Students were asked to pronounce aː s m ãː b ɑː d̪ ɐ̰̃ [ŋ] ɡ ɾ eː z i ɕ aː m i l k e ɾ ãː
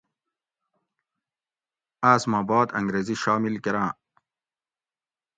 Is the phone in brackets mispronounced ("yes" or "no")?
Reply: no